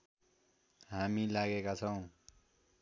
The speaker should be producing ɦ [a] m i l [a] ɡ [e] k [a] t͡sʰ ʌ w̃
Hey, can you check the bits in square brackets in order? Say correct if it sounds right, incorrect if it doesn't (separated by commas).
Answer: correct, correct, correct, correct